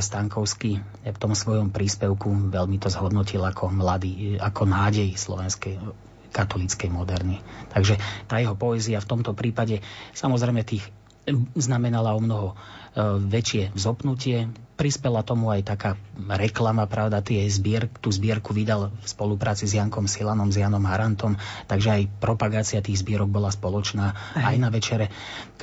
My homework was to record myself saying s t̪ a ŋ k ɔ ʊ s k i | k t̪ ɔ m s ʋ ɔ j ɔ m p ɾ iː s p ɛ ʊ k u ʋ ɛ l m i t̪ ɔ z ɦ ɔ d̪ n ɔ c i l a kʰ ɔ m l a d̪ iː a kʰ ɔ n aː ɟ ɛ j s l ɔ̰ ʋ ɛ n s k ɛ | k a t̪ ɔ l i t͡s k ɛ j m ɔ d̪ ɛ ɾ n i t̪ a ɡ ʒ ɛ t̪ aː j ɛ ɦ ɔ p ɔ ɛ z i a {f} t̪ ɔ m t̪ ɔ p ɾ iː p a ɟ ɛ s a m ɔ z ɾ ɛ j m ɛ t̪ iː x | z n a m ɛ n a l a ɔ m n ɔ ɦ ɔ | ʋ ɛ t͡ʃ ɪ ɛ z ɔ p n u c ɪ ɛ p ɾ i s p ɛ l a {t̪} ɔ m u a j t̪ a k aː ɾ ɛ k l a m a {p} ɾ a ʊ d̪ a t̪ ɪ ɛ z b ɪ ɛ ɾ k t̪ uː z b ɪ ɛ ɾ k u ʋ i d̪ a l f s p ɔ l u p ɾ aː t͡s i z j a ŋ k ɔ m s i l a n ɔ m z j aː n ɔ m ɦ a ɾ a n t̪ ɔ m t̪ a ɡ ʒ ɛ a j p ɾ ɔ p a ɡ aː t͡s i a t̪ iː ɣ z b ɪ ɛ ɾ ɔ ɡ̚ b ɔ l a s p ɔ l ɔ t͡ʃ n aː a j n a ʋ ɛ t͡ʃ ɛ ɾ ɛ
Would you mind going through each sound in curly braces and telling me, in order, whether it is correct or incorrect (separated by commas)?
correct, correct, correct